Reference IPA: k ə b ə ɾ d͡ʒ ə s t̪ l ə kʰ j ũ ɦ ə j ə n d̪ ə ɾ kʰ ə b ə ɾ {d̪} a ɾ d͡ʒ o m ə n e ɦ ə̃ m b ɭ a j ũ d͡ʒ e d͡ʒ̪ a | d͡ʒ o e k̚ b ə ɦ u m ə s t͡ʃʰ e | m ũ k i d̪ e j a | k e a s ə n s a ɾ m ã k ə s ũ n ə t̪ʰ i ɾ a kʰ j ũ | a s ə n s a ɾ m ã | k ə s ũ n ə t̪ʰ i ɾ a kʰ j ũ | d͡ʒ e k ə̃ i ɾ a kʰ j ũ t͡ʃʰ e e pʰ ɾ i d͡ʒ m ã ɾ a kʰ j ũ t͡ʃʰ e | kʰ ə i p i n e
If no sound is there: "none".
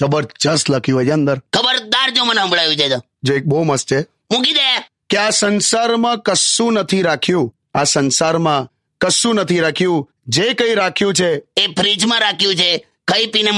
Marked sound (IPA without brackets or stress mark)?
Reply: d̪